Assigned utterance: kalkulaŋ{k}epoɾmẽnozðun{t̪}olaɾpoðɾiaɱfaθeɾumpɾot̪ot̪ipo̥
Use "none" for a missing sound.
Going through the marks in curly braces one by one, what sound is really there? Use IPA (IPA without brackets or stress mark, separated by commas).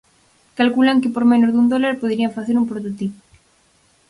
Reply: k, d̪